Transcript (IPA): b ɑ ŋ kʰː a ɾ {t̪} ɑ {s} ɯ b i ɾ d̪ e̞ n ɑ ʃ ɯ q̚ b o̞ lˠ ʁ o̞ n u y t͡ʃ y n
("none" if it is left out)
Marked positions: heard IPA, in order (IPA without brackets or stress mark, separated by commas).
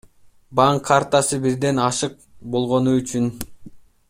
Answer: t̪, s